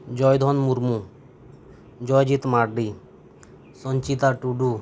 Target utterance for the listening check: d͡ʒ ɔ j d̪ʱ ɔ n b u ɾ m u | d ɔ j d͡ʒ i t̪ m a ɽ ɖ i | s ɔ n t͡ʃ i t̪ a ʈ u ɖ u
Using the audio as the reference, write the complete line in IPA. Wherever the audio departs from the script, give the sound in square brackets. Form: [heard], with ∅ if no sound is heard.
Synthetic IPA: d͡ʒ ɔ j d̪ʱ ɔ n [m] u ɾ m u | [d͡ʒ] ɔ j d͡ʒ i t̪ m a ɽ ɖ i | s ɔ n t͡ʃ i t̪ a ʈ u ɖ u